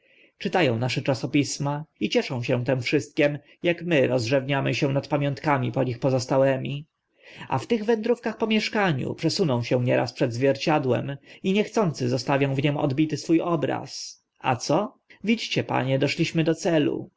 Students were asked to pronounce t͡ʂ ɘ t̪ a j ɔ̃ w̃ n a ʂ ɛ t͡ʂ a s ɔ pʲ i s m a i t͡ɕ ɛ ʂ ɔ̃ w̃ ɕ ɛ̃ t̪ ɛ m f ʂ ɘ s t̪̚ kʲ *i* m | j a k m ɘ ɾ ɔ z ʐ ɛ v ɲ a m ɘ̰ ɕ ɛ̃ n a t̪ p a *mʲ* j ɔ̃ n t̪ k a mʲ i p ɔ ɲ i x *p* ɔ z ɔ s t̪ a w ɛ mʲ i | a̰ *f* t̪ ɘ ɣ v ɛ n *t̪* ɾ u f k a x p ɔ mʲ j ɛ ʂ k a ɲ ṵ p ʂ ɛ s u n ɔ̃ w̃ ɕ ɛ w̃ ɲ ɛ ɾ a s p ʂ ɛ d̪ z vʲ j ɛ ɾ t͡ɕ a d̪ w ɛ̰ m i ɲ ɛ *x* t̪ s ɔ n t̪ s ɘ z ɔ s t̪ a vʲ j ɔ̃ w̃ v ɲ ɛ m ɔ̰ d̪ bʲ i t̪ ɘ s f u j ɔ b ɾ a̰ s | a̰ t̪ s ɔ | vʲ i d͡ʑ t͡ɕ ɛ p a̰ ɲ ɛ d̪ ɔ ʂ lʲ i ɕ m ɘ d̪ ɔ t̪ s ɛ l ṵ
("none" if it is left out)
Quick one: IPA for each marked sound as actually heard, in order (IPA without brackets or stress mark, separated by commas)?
ɛ, mʲ, p, f, d̪, x